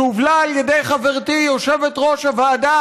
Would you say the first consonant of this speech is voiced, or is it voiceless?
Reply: voiced